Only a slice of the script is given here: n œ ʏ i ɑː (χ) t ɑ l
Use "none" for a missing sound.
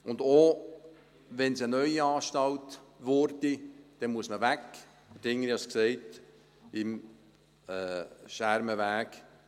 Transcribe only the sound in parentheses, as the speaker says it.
ʃ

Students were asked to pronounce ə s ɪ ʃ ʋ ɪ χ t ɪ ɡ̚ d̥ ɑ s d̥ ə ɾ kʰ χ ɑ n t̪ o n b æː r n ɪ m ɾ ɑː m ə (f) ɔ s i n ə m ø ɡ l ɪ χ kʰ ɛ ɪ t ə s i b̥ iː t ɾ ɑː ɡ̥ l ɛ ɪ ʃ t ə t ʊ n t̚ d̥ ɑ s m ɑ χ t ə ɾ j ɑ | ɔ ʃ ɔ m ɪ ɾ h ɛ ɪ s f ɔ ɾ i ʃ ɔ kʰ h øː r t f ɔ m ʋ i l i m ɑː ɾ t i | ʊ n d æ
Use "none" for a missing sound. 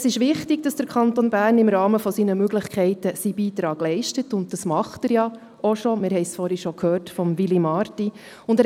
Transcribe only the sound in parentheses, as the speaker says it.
f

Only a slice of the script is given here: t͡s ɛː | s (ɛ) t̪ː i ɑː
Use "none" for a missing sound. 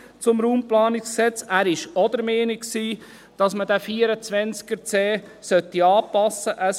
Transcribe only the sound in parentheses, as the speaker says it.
œ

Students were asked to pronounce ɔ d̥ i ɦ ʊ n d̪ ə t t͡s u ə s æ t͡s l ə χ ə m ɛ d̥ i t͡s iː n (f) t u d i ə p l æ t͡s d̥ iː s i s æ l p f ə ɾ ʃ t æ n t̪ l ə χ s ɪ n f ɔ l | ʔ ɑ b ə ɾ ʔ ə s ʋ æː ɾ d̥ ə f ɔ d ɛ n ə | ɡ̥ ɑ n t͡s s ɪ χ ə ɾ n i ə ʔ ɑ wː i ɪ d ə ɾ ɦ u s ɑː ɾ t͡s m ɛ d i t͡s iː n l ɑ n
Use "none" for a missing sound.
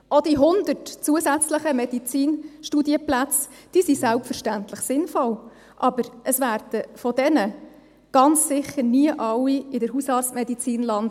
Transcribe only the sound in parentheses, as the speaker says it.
ʃ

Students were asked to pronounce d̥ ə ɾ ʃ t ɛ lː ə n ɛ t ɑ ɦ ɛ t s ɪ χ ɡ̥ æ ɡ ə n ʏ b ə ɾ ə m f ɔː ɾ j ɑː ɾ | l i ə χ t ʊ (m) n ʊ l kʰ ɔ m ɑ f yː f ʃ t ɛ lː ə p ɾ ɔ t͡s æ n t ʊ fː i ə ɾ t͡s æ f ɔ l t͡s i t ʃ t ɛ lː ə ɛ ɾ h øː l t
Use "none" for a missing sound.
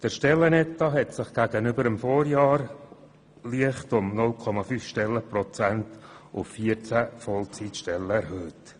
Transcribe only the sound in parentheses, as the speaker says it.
m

